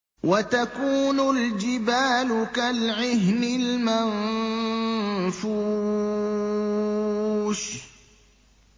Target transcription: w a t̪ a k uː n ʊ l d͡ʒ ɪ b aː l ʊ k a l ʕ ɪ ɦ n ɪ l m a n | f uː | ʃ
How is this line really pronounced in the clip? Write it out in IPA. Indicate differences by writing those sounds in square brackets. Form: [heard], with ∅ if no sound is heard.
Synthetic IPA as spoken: w a t̪ a k uː n ʊ l d͡ʒ ɪ b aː l ʊ k a l ʕ ɪ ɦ n ɪ l m a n | f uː | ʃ